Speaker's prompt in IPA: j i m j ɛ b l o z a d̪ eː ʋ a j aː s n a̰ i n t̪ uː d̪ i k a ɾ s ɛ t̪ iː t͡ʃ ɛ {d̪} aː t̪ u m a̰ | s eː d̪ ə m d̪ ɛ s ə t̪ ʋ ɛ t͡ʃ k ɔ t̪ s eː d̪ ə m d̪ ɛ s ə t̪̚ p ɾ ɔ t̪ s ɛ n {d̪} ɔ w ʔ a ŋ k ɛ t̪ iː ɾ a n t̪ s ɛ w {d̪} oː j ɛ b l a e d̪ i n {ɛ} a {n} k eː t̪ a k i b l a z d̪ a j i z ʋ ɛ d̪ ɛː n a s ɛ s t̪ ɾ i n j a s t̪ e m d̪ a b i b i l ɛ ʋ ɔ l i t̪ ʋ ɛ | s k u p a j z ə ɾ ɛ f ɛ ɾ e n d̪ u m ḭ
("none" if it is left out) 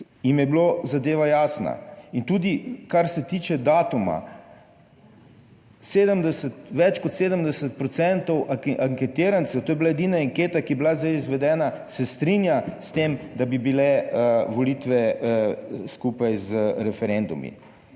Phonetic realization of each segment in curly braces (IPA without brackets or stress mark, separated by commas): d̪, t̪, t̪, a, ŋ